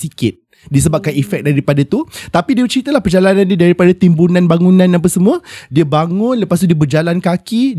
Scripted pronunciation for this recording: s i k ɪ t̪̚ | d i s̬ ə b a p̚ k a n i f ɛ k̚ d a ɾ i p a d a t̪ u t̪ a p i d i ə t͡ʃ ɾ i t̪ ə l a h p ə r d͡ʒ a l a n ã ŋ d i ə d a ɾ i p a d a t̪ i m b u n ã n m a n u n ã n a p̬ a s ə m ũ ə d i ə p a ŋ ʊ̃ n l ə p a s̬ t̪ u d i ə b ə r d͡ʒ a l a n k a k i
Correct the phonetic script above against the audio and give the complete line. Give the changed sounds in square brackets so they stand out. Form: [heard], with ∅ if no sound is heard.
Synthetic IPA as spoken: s i k ɪ t̪̚ | d i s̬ ə b a p̚ k a n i f ɛ k̚ d a ɾ i p a d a t̪ u t̪ a p i d i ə t͡ʃ ɾ i t̪ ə l a h p ə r d͡ʒ a l a n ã [n] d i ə d a ɾ i p a d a t̪ i m b u n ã n [b] a [ŋ] u n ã n a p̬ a s ə m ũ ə d i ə [b] a ŋ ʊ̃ n l ə p a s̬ t̪ u d i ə b ə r d͡ʒ a l a n k a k i